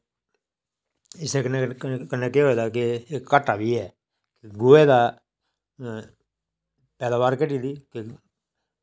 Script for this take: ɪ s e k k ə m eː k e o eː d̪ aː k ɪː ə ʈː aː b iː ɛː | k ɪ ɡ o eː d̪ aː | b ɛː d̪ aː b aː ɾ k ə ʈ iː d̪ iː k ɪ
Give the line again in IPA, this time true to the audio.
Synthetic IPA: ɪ s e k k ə n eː k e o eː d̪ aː k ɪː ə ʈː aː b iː ɛː | k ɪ ɡ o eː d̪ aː | p ɛː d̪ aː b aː ɾ k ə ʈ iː d̪ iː k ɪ